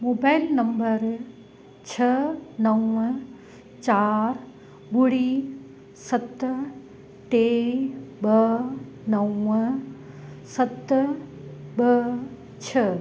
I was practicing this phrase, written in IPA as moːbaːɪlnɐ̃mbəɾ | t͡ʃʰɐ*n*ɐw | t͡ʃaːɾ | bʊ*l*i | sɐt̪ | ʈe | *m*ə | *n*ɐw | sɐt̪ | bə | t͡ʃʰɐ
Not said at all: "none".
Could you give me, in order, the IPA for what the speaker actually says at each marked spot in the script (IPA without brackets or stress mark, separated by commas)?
n, ɽ, b, n